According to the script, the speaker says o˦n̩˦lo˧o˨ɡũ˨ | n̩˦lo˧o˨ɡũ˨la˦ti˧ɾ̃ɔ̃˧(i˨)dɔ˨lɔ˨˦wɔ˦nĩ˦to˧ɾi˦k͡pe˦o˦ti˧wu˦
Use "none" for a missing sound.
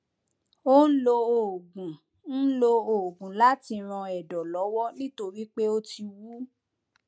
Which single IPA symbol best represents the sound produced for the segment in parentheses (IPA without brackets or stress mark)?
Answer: ɛ˨